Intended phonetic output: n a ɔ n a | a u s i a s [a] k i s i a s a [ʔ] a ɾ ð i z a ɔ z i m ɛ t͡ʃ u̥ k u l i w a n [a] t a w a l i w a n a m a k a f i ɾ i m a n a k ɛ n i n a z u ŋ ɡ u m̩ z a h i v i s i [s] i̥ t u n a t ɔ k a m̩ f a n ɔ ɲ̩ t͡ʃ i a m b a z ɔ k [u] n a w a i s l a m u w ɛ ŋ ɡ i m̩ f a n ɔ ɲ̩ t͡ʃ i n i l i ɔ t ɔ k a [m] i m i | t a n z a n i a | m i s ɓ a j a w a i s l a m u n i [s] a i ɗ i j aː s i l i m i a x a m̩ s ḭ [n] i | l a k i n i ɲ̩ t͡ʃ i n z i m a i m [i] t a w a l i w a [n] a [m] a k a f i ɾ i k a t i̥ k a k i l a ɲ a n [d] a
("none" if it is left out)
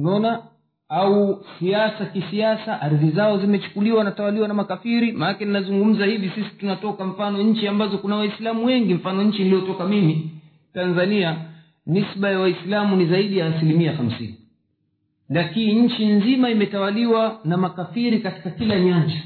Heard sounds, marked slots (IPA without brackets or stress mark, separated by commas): a, ʔ, a, s, u, m, z, n, ɛ, n, m, d͡ʒ